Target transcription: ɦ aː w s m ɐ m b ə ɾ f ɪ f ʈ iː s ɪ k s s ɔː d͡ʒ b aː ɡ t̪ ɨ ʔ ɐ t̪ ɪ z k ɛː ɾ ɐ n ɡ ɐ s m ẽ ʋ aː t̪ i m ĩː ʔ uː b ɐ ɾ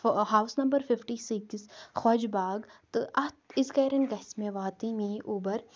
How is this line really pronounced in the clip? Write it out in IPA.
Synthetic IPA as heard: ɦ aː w s n ɐ m b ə ɾ f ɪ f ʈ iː s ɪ k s x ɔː d͡ʒ b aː ɡ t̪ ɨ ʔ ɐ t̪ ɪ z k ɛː ɾ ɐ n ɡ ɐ s m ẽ ʋ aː t̪ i m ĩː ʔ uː b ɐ ɾ